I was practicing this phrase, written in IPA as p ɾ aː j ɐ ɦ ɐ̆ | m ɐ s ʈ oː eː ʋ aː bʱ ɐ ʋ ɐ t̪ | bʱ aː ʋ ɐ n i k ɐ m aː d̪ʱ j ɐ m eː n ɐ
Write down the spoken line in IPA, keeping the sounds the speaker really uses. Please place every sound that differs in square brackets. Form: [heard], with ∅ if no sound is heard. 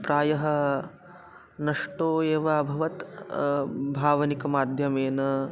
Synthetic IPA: p ɾ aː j ɐ ɦ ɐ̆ | [n] ɐ [ʂ] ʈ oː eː ʋ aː bʱ ɐ ʋ ɐ t̪ | bʱ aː ʋ ɐ n i k ɐ m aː d̪ʱ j ɐ m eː n ɐ